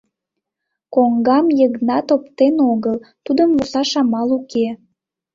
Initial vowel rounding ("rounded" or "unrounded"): rounded